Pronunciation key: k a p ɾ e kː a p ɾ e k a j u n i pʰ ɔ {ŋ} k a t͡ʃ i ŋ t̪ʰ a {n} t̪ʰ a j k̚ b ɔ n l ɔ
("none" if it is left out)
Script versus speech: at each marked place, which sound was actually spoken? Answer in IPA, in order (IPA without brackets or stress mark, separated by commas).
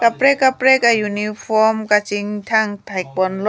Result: m, ŋ